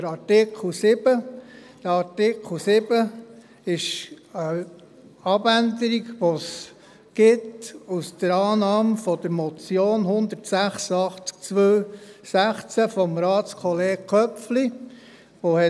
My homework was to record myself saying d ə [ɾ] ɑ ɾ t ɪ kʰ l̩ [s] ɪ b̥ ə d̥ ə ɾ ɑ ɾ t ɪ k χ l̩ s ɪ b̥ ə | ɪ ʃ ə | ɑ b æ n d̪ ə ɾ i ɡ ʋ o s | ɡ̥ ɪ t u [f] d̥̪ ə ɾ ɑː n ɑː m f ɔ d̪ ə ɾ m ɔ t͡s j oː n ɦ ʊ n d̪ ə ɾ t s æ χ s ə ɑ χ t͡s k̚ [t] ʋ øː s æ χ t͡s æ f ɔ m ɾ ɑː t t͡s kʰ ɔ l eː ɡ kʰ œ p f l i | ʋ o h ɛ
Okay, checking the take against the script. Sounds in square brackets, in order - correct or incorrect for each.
correct, correct, incorrect, incorrect

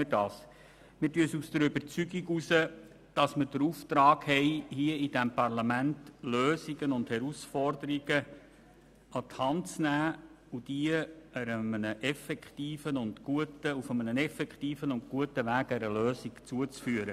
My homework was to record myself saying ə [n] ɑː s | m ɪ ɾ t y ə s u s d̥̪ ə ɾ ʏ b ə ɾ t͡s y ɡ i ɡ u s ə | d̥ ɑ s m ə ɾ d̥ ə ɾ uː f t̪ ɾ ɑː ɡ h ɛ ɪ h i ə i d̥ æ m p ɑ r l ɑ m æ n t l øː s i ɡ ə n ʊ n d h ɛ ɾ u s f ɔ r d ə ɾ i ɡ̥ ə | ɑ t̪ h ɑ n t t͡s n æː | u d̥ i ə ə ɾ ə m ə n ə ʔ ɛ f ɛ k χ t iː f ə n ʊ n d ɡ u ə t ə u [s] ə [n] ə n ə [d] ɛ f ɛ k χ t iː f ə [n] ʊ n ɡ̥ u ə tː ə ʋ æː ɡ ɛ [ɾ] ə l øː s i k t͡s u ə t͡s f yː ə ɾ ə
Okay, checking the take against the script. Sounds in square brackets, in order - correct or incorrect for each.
incorrect, incorrect, incorrect, incorrect, correct, correct

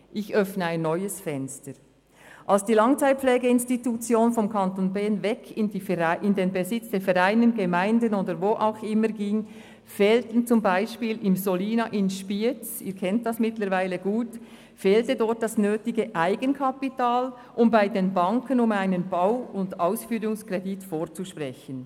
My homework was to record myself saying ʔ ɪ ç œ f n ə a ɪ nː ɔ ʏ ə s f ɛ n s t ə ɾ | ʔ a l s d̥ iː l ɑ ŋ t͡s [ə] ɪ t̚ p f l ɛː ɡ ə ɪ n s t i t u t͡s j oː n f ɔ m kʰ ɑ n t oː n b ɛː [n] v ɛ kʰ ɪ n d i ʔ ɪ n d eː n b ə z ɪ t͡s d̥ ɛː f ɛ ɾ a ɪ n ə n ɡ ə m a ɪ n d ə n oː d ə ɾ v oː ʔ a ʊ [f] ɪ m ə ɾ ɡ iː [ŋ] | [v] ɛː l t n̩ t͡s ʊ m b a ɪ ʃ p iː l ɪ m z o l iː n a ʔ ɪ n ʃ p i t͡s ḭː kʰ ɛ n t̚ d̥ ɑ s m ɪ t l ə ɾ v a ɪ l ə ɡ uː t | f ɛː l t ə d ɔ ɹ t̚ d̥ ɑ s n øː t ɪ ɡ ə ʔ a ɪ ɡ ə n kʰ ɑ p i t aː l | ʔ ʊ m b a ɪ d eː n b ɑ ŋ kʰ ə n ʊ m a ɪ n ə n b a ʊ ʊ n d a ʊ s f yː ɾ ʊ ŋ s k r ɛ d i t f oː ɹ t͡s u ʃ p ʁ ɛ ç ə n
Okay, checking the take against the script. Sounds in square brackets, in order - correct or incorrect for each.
incorrect, correct, incorrect, correct, incorrect

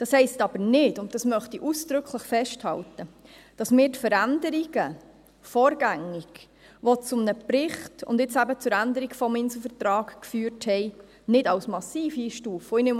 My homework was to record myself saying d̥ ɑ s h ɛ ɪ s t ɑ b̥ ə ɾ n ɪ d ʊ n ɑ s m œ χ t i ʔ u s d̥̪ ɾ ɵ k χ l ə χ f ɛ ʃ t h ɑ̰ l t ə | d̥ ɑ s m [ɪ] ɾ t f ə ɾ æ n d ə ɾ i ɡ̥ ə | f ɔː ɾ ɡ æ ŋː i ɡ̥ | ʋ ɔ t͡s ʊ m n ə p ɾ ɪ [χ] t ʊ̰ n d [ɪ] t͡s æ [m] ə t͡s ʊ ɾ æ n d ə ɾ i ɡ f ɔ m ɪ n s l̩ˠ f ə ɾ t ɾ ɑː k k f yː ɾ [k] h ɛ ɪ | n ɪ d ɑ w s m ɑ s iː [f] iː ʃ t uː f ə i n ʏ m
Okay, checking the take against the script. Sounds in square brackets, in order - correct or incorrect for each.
incorrect, correct, correct, incorrect, incorrect, correct

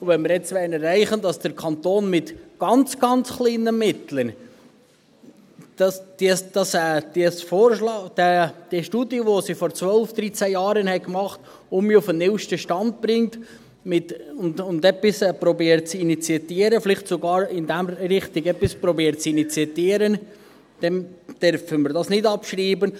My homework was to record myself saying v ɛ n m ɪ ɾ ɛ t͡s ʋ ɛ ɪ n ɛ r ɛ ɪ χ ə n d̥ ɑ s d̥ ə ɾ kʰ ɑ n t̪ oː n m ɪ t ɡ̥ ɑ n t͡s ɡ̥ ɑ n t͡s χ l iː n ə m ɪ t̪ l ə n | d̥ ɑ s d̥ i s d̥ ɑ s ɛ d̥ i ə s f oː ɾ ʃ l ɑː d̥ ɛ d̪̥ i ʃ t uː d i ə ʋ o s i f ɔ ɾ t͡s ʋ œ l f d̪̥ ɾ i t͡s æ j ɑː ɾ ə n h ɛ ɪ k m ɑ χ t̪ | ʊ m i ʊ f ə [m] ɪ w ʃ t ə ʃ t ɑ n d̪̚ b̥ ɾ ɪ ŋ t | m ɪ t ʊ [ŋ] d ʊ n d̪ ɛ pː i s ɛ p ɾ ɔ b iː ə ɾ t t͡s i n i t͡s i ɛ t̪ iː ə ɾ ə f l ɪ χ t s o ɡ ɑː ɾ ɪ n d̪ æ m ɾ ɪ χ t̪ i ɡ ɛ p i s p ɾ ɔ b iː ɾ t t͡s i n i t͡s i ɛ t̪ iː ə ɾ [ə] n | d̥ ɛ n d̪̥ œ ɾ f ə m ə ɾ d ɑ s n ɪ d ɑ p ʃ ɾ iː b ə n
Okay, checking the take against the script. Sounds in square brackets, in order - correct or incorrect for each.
incorrect, incorrect, correct

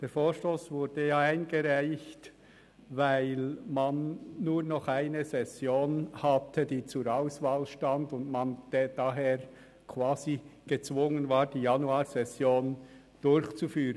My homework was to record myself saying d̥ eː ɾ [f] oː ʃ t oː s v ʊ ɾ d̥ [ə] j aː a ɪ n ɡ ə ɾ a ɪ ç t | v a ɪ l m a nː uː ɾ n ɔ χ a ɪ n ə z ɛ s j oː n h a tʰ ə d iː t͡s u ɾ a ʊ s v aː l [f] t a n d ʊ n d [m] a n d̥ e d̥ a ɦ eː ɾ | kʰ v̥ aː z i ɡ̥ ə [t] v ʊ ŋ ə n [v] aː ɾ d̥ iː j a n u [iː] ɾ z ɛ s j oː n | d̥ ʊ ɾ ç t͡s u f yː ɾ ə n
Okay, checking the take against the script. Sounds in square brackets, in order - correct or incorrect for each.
correct, correct, incorrect, correct, incorrect, correct, incorrect

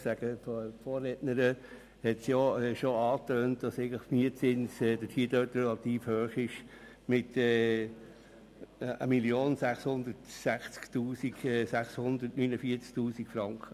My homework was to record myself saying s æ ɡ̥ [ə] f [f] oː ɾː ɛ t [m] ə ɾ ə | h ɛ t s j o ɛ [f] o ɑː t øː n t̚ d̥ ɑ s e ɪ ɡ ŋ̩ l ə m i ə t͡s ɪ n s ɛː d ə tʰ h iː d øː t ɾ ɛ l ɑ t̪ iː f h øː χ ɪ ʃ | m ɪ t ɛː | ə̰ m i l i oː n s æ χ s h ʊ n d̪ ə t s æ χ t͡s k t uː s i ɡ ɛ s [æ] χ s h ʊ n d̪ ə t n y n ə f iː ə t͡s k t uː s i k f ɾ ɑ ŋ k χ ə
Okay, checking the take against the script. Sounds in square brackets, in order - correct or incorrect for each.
correct, correct, incorrect, incorrect, correct

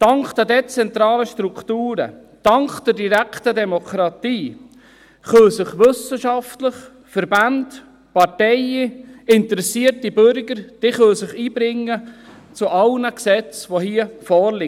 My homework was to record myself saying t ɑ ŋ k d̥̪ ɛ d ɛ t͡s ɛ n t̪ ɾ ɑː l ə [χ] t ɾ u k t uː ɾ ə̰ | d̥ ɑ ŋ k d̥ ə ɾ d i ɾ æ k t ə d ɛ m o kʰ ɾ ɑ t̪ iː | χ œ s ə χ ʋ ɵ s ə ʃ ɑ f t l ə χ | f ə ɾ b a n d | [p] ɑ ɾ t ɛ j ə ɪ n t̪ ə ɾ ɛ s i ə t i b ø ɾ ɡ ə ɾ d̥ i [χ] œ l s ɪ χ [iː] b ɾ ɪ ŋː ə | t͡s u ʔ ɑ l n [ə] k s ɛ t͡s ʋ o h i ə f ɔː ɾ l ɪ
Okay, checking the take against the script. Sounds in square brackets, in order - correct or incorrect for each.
incorrect, correct, correct, correct, correct

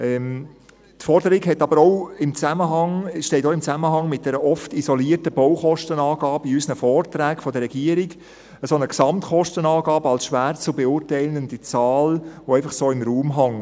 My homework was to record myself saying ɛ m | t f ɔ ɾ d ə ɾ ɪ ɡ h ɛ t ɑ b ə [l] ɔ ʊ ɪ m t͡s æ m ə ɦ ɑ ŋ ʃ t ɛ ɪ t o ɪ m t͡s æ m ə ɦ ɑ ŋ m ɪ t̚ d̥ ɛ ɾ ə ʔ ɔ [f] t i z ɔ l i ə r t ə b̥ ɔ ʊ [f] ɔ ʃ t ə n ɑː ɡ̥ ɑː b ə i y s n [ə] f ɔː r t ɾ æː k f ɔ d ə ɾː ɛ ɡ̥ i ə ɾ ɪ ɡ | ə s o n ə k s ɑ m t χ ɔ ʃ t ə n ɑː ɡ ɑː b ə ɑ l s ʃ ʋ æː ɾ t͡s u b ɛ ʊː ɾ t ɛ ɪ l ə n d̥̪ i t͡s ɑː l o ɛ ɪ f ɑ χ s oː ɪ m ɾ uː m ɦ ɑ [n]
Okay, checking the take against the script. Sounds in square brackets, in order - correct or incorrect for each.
incorrect, correct, incorrect, correct, incorrect

